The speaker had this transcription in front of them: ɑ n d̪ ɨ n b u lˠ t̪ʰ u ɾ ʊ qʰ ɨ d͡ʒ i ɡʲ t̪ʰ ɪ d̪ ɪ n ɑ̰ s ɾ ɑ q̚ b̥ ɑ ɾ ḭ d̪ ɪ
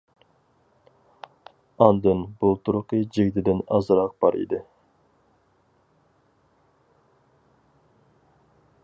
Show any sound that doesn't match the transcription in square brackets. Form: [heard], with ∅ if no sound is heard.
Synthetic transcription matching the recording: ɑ n d̪ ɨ n b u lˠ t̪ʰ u ɾ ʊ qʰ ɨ d͡ʒ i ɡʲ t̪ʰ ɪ d̪ ɪ n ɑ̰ [z] ɾ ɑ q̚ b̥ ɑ ɾ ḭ d̪ ɪ